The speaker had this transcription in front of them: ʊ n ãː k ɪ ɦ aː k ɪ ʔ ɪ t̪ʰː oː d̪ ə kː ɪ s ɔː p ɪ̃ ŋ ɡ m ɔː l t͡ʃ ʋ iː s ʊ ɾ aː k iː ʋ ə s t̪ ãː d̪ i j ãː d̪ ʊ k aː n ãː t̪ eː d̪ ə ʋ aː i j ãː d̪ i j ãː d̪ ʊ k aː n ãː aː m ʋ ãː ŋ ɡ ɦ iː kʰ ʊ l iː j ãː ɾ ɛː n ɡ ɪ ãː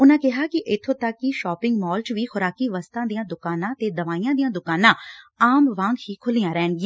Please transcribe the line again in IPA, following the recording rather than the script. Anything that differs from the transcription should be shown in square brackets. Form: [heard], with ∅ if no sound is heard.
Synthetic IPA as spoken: ʊ n ãː k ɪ ɦ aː k ɪ ʔ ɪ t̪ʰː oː [t̪] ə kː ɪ [ʃ] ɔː p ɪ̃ ŋ ɡ m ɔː l t͡ʃ ʋ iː [x] ʊ ɾ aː k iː ʋ ə s t̪ ãː d̪ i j ãː d̪ ʊ k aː n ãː t̪ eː d̪ ə ʋ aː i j ãː d̪ i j ãː d̪ ʊ k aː n ãː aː m ʋ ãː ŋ ɡ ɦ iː kʰ ʊ l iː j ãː ɾ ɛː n ɡ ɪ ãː